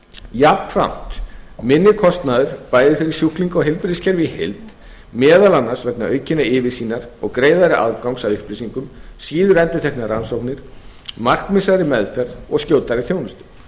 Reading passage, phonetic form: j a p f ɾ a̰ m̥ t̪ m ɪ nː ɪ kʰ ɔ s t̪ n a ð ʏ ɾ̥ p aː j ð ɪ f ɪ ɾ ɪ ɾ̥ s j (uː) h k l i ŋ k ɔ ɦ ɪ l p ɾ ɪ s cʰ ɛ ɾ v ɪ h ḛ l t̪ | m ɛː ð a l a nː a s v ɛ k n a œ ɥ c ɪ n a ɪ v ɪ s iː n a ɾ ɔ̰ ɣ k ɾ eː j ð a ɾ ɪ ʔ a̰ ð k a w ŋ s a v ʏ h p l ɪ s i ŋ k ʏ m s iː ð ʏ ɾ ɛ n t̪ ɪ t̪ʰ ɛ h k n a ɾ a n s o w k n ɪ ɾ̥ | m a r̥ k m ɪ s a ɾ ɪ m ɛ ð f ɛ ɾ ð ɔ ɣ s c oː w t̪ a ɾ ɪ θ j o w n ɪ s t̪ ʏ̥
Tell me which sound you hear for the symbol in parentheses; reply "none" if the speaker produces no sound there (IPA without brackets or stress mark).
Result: u